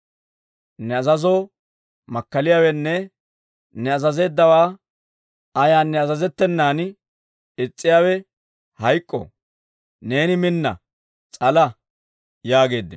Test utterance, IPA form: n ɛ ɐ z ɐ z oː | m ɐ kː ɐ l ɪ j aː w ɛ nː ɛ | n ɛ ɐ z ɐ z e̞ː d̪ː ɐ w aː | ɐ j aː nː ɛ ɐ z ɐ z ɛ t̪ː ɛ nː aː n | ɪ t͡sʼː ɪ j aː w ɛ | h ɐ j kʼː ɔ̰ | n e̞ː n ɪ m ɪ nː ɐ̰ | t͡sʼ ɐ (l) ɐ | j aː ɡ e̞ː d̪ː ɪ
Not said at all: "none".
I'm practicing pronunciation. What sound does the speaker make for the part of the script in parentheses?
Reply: l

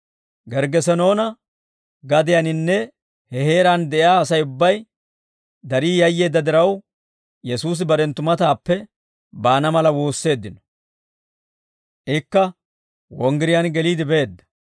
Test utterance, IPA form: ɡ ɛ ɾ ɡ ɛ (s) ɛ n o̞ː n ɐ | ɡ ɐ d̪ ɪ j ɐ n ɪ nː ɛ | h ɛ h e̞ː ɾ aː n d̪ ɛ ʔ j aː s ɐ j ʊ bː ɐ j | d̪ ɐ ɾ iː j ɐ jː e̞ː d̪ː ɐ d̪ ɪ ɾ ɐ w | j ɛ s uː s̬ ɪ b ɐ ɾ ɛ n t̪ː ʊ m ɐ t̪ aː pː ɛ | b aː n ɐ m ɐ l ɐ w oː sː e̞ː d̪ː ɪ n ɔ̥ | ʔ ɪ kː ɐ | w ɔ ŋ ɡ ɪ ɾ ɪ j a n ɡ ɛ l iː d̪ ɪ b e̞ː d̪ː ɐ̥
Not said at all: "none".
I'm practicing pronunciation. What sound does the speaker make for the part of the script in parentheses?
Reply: s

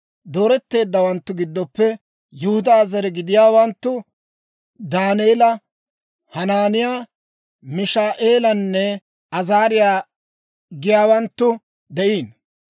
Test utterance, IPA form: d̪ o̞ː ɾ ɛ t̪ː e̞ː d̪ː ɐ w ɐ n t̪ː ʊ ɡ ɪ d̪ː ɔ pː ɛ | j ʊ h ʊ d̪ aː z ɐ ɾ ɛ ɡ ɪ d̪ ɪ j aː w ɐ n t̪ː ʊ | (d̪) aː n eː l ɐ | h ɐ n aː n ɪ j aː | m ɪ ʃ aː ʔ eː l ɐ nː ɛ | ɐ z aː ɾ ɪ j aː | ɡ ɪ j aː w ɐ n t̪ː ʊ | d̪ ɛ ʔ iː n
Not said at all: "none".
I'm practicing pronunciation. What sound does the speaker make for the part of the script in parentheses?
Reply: d̪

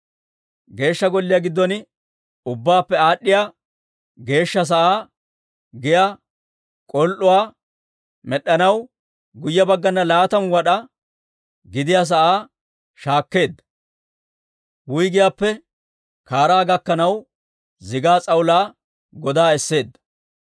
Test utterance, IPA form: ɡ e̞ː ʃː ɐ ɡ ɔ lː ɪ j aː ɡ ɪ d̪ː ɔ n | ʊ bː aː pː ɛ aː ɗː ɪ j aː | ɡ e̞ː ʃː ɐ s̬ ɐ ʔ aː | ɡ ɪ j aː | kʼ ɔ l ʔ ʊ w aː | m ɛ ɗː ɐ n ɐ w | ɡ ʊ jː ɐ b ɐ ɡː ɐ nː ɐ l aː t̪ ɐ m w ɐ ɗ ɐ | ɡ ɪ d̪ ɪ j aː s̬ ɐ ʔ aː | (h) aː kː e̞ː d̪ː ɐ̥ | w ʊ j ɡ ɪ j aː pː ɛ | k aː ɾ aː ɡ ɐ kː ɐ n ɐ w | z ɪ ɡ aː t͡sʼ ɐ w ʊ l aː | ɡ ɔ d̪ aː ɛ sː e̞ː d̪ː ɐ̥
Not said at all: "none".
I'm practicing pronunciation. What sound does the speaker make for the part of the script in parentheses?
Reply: ʃ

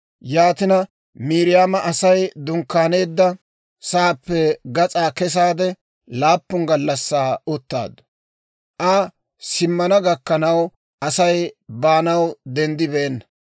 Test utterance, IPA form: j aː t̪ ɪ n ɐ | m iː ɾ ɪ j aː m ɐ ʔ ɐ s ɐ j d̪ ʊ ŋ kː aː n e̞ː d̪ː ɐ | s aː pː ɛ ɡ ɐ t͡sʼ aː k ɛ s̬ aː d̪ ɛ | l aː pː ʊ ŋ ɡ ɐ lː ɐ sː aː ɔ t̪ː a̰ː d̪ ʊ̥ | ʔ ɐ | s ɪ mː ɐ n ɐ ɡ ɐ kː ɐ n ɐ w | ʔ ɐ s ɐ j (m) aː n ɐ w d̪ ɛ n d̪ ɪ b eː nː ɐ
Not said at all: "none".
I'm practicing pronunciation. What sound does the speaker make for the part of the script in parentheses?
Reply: b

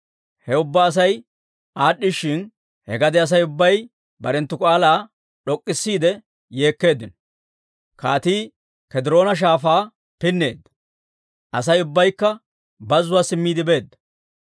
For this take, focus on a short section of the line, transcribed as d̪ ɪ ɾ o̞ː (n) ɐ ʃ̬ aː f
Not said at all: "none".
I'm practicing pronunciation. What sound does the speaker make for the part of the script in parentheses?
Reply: n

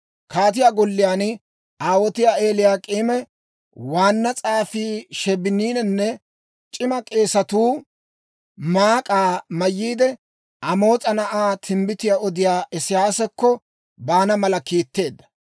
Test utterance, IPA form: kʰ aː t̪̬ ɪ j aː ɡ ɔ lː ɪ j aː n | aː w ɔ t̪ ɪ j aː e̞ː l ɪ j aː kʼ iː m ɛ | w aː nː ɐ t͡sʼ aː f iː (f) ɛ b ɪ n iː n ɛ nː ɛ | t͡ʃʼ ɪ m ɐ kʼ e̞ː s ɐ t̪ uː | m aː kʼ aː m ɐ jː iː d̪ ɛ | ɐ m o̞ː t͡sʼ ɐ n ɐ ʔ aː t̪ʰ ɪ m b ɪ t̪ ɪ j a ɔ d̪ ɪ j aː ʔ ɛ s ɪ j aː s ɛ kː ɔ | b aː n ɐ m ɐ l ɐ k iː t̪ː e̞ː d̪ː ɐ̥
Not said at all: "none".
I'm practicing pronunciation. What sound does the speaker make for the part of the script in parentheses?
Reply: ʃ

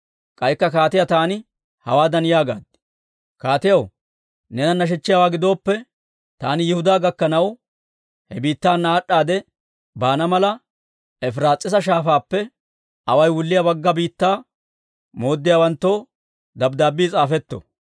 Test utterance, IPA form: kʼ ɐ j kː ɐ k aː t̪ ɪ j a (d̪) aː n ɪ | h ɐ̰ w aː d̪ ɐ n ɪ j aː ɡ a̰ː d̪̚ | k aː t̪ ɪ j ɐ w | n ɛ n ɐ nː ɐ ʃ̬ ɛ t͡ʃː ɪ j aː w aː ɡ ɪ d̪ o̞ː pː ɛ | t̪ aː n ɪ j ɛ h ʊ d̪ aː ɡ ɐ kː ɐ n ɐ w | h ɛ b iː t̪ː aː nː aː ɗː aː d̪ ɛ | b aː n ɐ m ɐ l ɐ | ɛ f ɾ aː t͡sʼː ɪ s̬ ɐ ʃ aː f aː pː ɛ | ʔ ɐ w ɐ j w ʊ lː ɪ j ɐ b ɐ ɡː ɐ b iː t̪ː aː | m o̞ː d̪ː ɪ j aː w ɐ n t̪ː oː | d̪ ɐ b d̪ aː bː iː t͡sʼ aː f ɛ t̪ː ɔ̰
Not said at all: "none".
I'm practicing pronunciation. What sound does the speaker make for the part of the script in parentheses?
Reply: t̪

